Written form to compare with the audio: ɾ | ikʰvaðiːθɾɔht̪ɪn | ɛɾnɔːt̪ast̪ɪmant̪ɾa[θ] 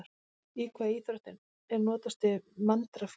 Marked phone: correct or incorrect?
incorrect: f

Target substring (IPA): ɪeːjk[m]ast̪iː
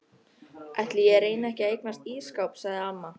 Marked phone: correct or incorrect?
incorrect: n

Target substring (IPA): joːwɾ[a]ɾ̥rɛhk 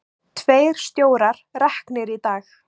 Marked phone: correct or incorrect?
correct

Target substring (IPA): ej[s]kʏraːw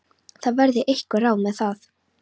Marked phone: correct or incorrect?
incorrect: h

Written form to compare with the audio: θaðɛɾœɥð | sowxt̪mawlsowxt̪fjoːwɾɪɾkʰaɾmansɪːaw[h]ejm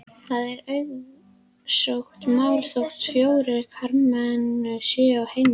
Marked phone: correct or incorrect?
correct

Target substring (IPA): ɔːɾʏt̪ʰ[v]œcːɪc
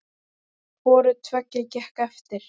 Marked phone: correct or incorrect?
correct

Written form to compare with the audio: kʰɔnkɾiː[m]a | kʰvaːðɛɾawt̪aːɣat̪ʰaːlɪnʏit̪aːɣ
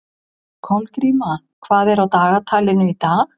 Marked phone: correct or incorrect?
correct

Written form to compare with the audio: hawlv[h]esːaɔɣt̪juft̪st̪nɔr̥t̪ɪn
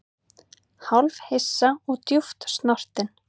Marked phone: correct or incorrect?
correct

